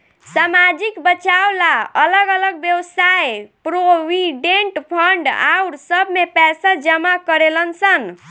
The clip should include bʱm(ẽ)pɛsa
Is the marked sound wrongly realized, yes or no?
yes